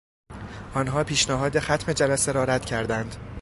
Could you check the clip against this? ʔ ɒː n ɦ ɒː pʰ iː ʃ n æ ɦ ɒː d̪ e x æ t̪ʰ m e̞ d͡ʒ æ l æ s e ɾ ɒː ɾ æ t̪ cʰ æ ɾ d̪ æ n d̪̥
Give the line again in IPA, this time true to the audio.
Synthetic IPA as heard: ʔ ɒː n ɦ ɒː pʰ iː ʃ n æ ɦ ɒː d̪ e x æ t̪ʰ m e̞ d͡ʒ æ l æ s e ɾ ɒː ɾ æ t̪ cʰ æ ɾ d̪ æ n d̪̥